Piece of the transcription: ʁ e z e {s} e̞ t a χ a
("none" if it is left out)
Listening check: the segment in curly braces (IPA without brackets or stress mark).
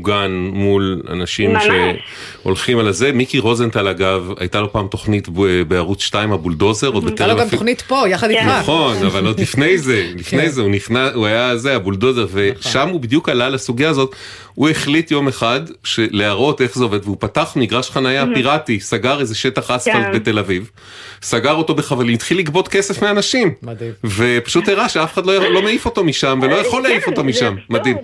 ʃ